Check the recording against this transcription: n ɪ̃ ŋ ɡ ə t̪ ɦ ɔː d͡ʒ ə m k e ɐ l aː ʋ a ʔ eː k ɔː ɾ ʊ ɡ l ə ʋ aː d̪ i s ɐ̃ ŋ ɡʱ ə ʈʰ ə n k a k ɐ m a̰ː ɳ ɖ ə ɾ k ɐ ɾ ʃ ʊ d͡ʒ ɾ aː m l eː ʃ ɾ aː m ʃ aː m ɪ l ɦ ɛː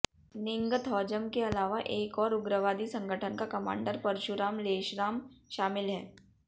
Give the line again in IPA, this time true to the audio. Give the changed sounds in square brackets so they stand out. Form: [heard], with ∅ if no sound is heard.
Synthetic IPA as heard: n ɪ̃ ŋ ɡ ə t̪ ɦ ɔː d͡ʒ ə m k e ɐ l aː ʋ a ʔ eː k ɔː ɾ ʊ ɡ [ɾ] ə ʋ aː d̪ i s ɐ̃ ŋ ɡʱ ə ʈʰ ə n k a k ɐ m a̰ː ɳ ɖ ə ɾ [p] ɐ ɾ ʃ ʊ [∅] ɾ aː m l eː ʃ ɾ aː m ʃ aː m ɪ l ɦ ɛː